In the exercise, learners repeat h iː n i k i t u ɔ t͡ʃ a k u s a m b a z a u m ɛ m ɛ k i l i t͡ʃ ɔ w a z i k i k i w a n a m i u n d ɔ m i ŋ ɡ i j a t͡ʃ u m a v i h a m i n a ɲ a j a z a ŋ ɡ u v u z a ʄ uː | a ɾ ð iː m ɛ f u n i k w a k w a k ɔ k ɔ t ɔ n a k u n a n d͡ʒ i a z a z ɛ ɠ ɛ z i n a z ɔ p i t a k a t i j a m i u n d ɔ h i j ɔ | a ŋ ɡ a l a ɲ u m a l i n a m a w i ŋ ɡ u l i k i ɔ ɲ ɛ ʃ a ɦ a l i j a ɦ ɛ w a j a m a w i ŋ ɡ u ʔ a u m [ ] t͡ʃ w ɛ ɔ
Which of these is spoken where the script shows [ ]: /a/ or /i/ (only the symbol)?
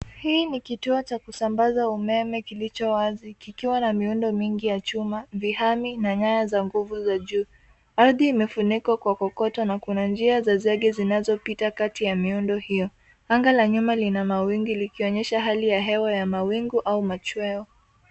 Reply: a